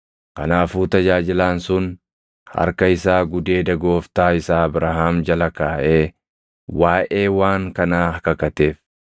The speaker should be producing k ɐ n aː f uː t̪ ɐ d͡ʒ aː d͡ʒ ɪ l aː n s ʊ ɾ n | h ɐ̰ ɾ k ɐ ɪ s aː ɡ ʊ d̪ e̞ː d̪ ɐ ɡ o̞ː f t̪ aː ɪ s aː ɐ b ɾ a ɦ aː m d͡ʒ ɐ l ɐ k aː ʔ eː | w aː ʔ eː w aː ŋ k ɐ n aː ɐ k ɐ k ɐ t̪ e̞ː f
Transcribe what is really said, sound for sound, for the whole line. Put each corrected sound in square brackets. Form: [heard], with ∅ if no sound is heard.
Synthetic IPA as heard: k ɐ n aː f uː t̪ ɐ d͡ʒ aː d͡ʒ ɪ l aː n s ʊ [∅] n | h ɐ̰ ɾ k ɐ ɪ s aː ɡ ʊ d̪ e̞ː d̪ ɐ ɡ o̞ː f t̪ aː ɪ s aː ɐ b ɾ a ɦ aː m d͡ʒ ɐ l ɐ k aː ʔ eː | w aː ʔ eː w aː ŋ k ɐ n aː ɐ k ɐ k ɐ t̪ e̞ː f